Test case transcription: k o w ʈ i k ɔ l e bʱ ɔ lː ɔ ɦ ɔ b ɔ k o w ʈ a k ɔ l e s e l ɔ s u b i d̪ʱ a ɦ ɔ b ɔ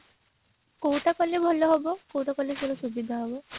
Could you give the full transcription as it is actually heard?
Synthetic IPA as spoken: k o w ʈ a k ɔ l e bʱ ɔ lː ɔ ɦ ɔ b ɔ k o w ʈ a k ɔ l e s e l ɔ s u b i d̪ʱ a ɦ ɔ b ɔ